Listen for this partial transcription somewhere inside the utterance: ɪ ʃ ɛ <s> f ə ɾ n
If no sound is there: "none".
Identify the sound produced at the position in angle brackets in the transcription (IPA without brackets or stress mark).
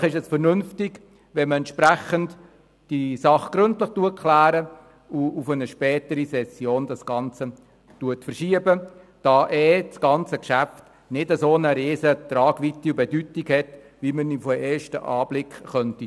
s